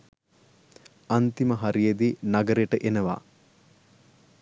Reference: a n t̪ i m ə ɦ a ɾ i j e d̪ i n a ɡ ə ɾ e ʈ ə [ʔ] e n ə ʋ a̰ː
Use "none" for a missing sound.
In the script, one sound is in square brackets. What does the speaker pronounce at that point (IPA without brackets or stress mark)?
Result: ʔ